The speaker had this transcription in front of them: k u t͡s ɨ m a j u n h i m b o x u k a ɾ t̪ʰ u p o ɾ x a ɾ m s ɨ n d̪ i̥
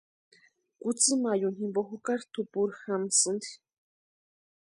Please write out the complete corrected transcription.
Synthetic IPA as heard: k u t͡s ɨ m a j u n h i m b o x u k a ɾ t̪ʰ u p u ɾ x a m s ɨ n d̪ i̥